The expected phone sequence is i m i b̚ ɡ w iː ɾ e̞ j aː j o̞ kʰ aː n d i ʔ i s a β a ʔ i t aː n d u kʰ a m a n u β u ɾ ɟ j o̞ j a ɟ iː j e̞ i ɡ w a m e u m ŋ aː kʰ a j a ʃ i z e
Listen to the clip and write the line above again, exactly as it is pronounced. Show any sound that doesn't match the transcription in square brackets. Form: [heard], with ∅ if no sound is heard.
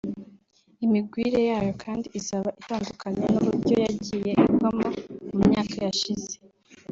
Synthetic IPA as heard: i m i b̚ ɡ w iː ɾ e̞ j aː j o̞ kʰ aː n d i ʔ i s a β a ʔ i t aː n d u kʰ a [ɲ] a n u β u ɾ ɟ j o̞ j a ɟ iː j e̞ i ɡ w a m [a] u m [ɲ] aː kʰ a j a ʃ i z e